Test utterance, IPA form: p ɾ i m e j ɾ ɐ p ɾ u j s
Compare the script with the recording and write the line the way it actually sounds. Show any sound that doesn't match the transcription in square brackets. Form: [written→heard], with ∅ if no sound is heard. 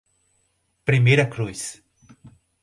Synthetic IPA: p ɾ i m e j ɾ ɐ [p→k] ɾ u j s